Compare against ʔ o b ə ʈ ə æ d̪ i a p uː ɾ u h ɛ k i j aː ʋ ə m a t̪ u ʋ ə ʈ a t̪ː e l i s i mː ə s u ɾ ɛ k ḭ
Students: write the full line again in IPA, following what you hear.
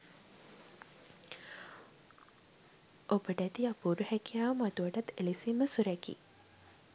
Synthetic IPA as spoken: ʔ o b ə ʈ ə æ t̪ i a p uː ɾ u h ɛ k i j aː ʋ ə m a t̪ u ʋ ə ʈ a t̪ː e l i s i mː ə s u ɾ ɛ k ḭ